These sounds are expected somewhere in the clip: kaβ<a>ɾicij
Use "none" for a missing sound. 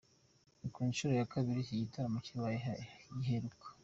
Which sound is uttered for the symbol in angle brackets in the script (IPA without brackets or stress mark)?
i